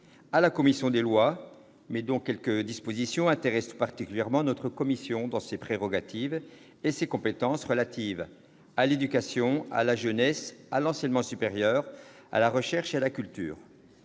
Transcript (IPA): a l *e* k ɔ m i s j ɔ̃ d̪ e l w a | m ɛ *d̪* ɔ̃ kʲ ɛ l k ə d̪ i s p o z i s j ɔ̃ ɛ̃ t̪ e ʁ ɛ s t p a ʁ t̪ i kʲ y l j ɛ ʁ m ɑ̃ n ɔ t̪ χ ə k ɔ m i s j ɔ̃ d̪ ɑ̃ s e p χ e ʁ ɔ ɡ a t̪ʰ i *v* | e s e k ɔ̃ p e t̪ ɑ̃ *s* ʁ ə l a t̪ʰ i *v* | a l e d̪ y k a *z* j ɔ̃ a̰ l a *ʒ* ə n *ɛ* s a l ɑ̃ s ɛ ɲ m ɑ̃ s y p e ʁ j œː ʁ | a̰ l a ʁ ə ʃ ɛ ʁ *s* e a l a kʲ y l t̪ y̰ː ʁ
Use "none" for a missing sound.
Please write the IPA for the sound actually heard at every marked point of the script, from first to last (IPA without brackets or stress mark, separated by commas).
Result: a, d̪, v, s, v, s, ʒ, ɛ, ʃ